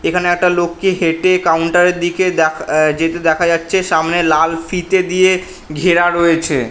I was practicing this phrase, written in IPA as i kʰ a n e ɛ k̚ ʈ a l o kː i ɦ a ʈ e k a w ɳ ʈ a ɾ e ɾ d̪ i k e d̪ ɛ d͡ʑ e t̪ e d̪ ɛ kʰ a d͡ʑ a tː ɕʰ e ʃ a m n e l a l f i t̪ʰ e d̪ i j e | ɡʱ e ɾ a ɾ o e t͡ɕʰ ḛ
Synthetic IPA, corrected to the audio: e kʰ a n e ɛ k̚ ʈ a l o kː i ɦ e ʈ e k a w ɳ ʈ a ɾ e ɾ d̪ i k e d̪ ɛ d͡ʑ e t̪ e d̪ ɛ kʰ a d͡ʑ a tː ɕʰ e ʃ a m n e l a l f i t̪ e d̪ i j e | ɡʱ e ɾ a ɾ o e t͡ɕʰ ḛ

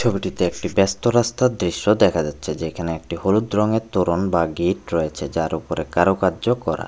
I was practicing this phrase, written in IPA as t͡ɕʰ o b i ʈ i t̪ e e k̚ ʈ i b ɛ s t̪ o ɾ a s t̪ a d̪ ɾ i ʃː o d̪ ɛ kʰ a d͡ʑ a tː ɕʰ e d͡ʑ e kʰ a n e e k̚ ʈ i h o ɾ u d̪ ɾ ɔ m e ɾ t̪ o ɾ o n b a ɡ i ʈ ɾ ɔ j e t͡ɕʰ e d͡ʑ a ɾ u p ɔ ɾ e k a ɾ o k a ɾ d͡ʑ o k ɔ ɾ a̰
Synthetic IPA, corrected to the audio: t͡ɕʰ o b i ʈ i t̪ e e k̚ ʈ i b ɛ s t̪ o ɾ a s t̪ a d̪ ɾ i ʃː o d̪ ɛ kʰ a d͡ʑ a tː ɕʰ e d͡ʑ e kʰ a n e e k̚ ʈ i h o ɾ u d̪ ɾ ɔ ŋ e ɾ t̪ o ɾ o n b a ɡ i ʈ ɾ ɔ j e t͡ɕʰ e d͡ʑ a ɾ u p o ɾ e k a ɾ o k a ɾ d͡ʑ o k ɔ ɾ a̰

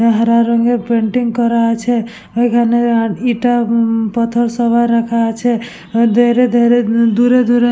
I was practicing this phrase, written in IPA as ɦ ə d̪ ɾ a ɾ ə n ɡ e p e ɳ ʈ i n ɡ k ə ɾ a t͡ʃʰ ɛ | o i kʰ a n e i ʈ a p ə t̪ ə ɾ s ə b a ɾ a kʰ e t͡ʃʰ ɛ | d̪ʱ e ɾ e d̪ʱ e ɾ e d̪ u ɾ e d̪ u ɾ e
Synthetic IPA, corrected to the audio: ɦ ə ɾ a ɾ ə ŋ ɡ e p e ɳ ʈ i ŋ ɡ k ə ɾ a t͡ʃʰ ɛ | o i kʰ a n e i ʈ a p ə t̪ʰ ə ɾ s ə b a ɾ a kʰ a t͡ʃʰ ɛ | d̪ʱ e ɾ e d̪ʱ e ɾ e d̪ u ɾ e d̪ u ɾ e

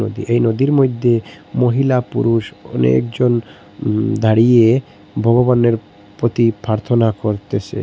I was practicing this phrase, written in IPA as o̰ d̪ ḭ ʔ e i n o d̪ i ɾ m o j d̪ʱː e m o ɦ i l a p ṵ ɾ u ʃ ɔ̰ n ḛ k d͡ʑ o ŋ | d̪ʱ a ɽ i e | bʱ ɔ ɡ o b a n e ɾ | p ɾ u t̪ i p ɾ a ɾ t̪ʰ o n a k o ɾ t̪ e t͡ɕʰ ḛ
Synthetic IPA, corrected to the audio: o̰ d̪ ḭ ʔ e j n o d̪ i ɾ m o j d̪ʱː e m o ɦ i l a p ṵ ɾ u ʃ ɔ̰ n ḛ k d͡ʑ o n | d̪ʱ a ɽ i e | bʱ ɔ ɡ o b a n e ɾ | p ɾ o t̪ i p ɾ a ɾ t̪ʰ o n a k o ɾ t̪ e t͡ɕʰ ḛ

